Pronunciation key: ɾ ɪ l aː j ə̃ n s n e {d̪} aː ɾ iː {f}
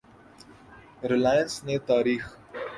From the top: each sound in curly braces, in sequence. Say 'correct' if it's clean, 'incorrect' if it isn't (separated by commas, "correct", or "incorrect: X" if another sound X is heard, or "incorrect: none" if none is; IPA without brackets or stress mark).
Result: incorrect: t̪, incorrect: x